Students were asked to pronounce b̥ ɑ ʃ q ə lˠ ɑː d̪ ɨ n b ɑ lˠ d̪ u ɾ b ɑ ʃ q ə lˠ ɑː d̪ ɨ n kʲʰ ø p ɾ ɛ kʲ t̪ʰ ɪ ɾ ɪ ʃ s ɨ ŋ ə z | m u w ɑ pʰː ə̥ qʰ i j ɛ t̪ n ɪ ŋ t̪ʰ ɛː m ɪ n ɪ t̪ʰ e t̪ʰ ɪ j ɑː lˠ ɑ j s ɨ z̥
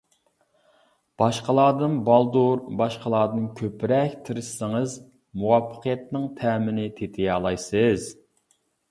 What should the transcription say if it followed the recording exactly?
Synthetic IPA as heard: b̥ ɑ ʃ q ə lˠ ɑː d̪ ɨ n b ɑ lˠ d̪ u ɾ b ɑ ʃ q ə lˠ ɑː d̪ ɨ n kʲʰ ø p ɾ ɛ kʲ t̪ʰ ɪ ɾ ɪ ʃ s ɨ ŋ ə z | m u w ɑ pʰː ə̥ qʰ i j ɛ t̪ n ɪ ŋ t̪ʰ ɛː m ɪ n ɪ t̪ʰ e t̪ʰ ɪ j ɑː lˠ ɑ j s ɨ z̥